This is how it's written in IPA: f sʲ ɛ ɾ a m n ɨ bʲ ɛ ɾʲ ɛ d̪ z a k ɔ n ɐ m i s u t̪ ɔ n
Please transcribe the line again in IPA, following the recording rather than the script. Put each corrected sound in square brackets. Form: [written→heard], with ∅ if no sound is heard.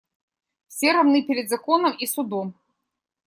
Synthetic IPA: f sʲ ɛ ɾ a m n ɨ [bʲ→pʲ] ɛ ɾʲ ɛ d̪ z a k ɔ n ɐ m i s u [t̪→d̪] ɔ [n→m]

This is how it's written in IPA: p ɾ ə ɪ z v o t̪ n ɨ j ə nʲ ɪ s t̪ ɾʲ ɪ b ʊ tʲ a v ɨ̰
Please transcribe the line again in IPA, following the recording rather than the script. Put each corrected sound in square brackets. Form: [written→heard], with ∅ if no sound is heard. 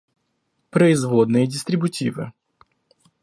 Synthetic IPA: p ɾ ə ɪ z v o [t̪→d̪] n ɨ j ə [nʲ→dʲ] ɪ s t̪ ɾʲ ɪ b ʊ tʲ [a→i] v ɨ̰

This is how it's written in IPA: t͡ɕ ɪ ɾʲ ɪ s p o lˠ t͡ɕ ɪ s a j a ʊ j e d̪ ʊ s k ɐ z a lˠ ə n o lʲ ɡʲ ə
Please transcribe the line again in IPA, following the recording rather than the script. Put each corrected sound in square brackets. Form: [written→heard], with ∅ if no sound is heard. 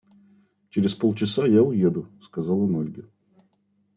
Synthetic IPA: t͡ɕ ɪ ɾʲ ɪ s p o lˠ t͡ɕ ɪ s a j a ʊ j e d̪ ʊ s k ɐ z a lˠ ə n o lʲ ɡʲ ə

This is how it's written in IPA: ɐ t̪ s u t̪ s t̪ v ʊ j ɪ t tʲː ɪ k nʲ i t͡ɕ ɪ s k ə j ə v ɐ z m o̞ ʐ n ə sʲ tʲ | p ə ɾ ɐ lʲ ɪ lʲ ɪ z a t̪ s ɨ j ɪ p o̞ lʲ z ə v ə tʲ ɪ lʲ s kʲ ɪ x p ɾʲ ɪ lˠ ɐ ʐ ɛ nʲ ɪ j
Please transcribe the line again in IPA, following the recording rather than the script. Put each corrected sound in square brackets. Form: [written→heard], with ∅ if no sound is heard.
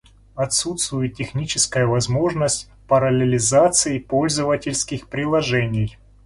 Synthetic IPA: ɐ t̪ s u t̪ s t̪ v ʊ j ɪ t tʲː ɪ [k→x] nʲ i t͡ɕ ɪ s k ə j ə v ɐ z m o̞ ʐ n ə sʲ tʲ | p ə ɾ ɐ lʲ ɪ lʲ ɪ z a t̪ s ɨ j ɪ p o̞ lʲ z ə v ə tʲ ɪ lʲ s kʲ ɪ x p ɾʲ ɪ lˠ ɐ ʐ ɛ nʲ ɪ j

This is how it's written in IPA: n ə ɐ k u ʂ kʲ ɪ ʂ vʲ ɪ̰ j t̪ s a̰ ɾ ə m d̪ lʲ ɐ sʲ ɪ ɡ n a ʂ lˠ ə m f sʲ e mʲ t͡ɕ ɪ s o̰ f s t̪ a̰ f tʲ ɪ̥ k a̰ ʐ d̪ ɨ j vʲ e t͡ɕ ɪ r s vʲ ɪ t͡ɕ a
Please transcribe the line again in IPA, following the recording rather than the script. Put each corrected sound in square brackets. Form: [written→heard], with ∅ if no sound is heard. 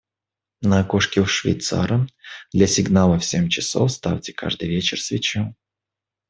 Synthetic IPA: n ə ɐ k [u→o] ʂ kʲ ɪ ʂ vʲ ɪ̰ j t̪ s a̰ ɾ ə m d̪ lʲ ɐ sʲ ɪ ɡ n a [ʂ→∅] lˠ ə [m→∅] f sʲ e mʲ t͡ɕ ɪ s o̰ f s t̪ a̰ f tʲ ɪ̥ k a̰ ʐ d̪ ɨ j vʲ e t͡ɕ ɪ r s vʲ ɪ t͡ɕ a

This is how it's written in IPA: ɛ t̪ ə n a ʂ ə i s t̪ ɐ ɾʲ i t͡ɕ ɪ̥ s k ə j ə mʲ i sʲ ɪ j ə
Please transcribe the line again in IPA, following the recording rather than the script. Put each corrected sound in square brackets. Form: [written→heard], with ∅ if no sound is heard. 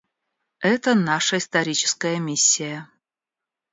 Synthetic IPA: ɛ t̪ ə n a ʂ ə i s t̪ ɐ ɾʲ i t͡ɕ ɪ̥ s k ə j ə mʲ i [sʲ→sʲː] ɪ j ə

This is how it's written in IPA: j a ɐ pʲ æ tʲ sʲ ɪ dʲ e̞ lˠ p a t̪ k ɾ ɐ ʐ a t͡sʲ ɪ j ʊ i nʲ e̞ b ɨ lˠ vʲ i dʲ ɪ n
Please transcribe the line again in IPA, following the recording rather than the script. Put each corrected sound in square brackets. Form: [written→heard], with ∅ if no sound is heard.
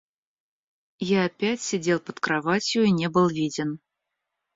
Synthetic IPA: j a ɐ pʲ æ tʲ sʲ ɪ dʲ e̞ lˠ p [a→ə] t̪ k ɾ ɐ [ʐ→v] a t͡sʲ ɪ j ʊ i nʲ e̞ b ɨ lˠ vʲ i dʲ ɪ n

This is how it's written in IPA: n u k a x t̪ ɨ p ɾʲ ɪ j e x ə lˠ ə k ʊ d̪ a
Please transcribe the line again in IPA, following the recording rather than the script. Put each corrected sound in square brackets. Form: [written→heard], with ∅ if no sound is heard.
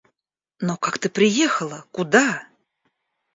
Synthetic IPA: n [u→o] k a [x→k] t̪ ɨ p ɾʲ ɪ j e x ə lˠ ə k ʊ d̪ a

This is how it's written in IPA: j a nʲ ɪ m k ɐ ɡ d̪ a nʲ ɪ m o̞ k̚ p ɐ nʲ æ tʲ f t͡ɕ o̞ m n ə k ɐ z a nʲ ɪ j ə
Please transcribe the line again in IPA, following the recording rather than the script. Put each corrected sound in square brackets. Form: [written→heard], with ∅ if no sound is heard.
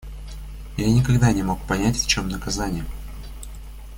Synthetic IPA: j a nʲ ɪ [m→∅] k ɐ ɡ d̪ a nʲ ɪ m o̞ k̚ p ɐ nʲ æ tʲ f t͡ɕ o̞ m n ə k ɐ z a nʲ ɪ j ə

